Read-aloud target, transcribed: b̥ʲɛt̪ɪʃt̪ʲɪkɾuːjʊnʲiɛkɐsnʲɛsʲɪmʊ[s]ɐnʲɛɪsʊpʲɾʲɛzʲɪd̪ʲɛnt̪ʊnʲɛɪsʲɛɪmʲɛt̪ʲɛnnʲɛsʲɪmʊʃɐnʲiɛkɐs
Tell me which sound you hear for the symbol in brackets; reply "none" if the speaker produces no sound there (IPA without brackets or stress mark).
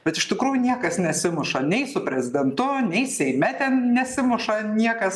ʃ